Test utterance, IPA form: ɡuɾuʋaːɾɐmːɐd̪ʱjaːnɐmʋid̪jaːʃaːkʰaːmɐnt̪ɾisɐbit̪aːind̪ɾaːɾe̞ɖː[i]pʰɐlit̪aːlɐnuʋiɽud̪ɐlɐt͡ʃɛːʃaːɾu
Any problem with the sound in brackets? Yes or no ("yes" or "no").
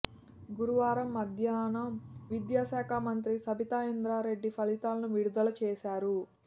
no